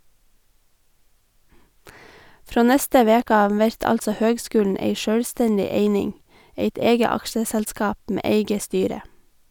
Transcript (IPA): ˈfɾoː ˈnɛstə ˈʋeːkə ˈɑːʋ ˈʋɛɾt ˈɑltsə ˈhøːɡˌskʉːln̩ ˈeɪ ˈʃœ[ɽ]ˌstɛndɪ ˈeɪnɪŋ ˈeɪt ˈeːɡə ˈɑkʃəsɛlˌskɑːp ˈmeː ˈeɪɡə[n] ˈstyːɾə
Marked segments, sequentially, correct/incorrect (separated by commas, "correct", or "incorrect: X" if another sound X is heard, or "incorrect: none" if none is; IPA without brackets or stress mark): correct, incorrect: none